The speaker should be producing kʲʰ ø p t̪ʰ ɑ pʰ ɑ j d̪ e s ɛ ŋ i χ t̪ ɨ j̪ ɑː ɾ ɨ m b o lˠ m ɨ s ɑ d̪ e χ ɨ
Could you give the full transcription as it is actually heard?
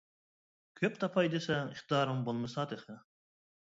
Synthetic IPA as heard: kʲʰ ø p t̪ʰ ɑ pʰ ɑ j d̪ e s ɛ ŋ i χ t̪ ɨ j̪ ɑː ɾ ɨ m b o lˠ m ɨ s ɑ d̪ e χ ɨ